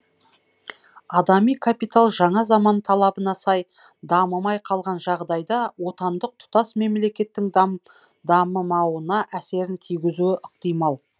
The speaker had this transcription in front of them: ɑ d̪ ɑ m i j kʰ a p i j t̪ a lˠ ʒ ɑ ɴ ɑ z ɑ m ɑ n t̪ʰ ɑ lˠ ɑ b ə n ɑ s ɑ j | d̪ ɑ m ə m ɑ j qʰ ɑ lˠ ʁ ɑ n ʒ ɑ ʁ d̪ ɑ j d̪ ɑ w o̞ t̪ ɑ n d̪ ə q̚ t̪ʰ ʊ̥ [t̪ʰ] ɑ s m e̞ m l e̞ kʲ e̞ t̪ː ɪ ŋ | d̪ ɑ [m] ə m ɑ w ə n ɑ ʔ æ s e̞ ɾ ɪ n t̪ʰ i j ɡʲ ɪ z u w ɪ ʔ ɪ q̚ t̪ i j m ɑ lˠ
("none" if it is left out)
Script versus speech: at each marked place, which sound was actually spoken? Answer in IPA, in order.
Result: t̪, m

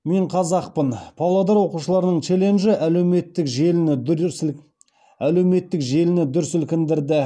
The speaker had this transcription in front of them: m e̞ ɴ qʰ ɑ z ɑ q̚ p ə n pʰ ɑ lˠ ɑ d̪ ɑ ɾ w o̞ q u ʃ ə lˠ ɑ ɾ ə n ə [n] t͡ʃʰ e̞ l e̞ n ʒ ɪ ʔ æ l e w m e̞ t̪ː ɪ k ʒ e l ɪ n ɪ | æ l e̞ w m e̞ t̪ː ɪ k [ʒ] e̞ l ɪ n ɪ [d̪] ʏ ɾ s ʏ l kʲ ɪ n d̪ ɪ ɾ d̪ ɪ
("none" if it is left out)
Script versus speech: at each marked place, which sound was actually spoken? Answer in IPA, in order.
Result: ɴ, ʒ, d̪

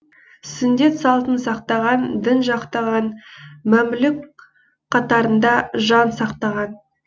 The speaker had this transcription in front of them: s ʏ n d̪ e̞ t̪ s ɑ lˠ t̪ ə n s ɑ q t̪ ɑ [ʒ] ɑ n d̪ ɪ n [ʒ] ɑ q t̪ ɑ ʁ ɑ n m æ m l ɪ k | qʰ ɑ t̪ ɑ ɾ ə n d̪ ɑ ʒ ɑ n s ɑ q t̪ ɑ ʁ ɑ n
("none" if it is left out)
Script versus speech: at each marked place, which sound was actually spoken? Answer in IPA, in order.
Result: ʁ, ʒ

